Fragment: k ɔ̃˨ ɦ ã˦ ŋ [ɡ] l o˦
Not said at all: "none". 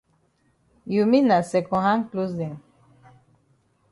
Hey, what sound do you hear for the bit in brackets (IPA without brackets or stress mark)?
k